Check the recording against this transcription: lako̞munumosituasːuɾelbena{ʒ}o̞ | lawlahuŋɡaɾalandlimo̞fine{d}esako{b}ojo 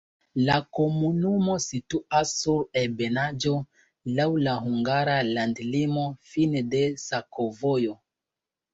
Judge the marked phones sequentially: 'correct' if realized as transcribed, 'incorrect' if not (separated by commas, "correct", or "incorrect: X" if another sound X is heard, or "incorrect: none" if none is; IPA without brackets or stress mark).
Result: incorrect: d͡ʒ, correct, incorrect: v